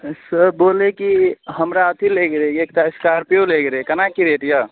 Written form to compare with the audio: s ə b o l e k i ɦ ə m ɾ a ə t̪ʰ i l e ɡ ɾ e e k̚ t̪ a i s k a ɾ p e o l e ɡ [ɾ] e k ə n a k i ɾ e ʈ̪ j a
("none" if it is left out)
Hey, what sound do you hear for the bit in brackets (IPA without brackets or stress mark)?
ɾ